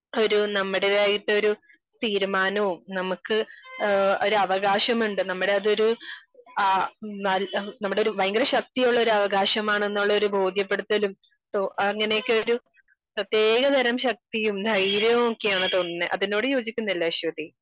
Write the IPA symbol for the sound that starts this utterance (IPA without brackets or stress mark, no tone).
o̞